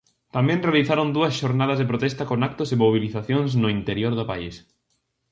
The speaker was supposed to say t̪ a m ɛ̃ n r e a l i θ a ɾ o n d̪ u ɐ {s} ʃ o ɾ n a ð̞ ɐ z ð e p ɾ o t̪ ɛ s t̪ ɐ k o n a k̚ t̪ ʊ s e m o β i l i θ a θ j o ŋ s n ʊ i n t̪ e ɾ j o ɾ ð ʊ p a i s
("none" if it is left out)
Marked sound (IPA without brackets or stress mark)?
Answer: s